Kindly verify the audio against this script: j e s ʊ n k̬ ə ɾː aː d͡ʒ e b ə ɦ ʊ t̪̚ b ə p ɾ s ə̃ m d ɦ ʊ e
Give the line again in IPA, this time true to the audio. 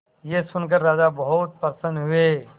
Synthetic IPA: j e s ʊ n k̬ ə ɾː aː d͡ʒ a b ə ɦ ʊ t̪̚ p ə ɾ s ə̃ n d ɦ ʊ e